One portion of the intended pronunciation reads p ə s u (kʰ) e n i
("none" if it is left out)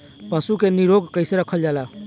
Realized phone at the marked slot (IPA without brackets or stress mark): k